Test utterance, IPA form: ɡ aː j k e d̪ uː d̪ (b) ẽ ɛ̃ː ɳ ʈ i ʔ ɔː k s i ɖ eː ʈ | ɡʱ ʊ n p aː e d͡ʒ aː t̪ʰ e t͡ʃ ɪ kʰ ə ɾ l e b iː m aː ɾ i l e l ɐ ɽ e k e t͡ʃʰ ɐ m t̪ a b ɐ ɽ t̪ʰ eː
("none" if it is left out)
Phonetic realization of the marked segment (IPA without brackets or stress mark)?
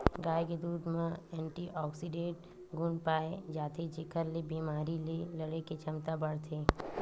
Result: m